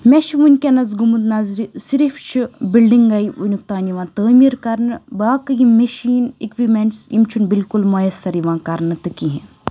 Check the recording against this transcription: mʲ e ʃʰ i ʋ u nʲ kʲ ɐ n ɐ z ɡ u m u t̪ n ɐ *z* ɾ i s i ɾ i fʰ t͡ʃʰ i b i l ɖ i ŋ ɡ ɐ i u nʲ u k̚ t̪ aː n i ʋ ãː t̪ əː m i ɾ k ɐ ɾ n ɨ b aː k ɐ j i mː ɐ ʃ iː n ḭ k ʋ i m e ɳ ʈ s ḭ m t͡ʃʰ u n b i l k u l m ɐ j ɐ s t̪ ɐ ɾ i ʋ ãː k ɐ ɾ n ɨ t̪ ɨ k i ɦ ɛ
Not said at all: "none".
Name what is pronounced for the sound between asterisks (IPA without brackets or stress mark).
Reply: z